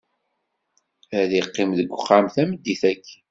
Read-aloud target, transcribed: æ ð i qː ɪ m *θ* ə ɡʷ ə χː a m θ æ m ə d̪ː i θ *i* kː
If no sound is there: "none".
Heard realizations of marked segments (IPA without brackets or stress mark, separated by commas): ð, æ